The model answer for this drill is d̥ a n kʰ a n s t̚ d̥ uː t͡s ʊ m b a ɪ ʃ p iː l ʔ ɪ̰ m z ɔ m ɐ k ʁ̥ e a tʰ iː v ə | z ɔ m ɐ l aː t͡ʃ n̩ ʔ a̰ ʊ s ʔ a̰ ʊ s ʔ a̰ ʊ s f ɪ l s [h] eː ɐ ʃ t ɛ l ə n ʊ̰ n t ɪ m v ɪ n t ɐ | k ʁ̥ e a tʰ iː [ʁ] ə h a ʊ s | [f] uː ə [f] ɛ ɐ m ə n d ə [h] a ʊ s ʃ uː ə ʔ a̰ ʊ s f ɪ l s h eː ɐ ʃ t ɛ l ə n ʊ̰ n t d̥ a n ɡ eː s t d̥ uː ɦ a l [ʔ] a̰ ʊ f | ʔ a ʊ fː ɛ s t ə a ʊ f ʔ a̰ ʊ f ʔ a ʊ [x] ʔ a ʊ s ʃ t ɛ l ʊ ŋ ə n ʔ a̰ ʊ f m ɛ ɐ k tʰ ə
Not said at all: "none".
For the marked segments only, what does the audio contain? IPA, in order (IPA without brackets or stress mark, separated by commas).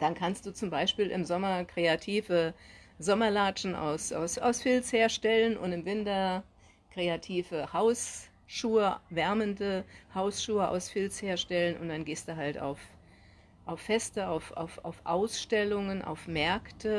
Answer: h, v, ʃ, v, h, t, f